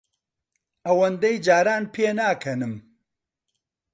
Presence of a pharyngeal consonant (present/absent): absent